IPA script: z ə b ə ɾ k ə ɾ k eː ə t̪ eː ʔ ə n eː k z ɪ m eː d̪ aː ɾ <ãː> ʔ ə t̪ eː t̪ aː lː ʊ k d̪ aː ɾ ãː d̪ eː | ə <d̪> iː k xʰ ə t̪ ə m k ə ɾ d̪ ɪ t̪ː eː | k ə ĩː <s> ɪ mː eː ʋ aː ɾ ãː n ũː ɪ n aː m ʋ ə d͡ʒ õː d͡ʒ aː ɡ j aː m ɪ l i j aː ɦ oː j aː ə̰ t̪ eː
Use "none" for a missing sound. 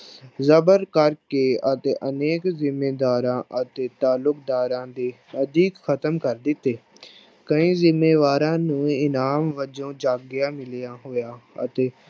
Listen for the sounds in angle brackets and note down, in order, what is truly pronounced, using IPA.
ãː, d̪, z

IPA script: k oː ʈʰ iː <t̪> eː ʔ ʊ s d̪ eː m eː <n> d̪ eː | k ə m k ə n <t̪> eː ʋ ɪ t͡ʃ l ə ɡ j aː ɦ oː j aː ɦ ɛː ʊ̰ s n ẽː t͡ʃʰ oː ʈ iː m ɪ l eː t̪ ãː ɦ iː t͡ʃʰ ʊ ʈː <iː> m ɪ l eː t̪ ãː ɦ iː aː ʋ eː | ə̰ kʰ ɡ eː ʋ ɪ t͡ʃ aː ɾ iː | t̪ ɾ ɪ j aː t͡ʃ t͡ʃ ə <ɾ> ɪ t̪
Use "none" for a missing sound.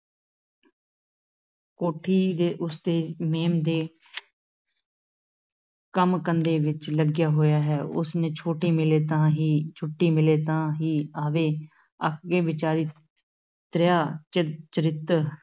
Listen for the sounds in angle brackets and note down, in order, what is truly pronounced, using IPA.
d̪, m, d̪, iː, ɾ

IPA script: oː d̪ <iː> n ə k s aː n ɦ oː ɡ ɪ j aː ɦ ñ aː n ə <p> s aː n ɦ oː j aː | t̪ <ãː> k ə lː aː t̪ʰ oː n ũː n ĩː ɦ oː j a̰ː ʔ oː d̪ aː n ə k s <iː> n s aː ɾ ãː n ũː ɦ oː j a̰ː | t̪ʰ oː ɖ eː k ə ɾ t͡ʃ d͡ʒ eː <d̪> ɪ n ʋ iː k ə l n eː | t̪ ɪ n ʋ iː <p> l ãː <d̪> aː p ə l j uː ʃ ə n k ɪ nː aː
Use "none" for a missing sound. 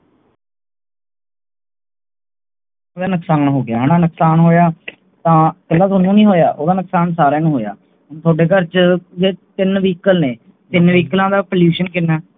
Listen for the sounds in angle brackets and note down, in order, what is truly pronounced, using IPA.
aː, k, ãː, aː, t̪, k, d̪

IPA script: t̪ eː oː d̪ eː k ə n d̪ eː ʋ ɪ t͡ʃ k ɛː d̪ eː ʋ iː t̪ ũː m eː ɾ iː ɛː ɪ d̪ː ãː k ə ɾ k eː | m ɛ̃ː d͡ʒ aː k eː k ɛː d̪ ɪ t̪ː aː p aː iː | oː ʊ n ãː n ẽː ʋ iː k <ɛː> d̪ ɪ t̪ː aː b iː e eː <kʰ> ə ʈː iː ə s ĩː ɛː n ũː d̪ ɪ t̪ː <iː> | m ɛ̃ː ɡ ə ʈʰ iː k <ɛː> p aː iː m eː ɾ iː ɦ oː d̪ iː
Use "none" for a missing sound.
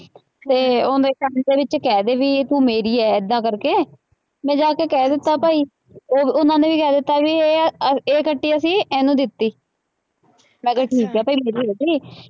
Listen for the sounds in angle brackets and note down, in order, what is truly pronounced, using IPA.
ɛː, k, iː, ɛː

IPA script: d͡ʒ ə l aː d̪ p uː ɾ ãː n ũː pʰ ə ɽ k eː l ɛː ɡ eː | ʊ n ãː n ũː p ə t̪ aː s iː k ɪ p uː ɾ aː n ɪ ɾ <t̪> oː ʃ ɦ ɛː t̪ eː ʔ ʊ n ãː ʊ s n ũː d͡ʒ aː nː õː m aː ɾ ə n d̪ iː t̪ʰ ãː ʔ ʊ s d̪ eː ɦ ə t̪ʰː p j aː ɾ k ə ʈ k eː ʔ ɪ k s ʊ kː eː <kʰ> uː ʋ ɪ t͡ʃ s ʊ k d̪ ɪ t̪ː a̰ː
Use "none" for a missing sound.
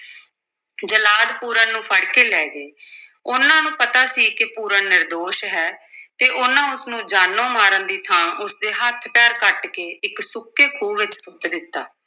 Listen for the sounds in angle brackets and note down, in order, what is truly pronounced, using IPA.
d̪, kʰ

